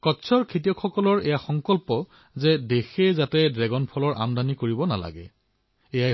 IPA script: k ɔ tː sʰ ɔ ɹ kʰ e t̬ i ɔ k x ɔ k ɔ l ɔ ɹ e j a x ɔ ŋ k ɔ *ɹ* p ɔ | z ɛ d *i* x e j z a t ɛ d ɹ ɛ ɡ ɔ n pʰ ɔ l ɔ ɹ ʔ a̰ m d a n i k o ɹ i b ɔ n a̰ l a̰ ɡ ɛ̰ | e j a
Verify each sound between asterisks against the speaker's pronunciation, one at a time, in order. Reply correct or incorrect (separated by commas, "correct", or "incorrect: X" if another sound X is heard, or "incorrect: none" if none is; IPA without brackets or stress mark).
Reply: incorrect: l, incorrect: e